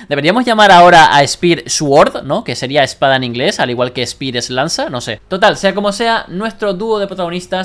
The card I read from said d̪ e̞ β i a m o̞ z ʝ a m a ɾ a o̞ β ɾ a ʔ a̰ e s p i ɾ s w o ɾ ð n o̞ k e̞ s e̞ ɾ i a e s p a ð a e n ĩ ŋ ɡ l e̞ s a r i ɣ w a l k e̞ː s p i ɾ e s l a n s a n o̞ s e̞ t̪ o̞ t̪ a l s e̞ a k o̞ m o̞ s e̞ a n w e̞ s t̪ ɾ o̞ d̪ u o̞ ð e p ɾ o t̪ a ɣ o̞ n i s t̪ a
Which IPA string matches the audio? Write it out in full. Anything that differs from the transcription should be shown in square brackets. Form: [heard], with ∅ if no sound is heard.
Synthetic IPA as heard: d̪ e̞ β i a m o̞ z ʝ a m a ɾ a o̞ [∅] ɾ a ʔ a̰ e s p i ɾ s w o ɾ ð n o̞ k e̞ s e̞ ɾ i a e s p a ð a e n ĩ ŋ ɡ l e̞ s a [l] i ɣ w a l k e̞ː s p i ɾ e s l a n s a n o̞ s e̞ t̪ o̞ t̪ a l s e̞ a k o̞ m o̞ s e̞ a n w e̞ s t̪ ɾ o̞ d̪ u o̞ ð e p ɾ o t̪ a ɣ o̞ n i s t̪ a